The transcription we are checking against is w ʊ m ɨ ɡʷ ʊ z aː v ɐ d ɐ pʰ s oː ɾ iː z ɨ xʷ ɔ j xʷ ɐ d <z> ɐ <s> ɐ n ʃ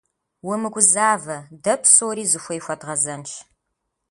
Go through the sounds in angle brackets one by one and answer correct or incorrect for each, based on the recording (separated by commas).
incorrect, incorrect